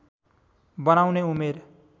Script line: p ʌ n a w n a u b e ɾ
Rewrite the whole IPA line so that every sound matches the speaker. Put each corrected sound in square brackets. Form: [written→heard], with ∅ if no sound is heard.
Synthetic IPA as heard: [p→b] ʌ n a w n [a→e] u [b→m] e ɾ